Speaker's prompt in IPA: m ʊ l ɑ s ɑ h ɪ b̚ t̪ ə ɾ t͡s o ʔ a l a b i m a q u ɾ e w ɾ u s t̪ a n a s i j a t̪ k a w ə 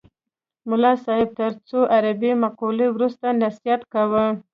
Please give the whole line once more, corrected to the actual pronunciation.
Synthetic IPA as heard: m ʊ l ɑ s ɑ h ɪ b̚ t̪ ə ɾ t͡s o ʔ a ɾ a b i m a q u l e w ɾ u s t̪ a n a s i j a t̪ k a w ə